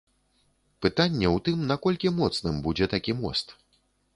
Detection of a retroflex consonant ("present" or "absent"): absent